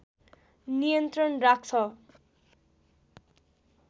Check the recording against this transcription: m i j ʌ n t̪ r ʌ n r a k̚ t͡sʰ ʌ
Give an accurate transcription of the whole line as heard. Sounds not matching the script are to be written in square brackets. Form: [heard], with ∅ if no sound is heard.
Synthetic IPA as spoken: [n] i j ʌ n t̪ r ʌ n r a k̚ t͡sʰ ʌ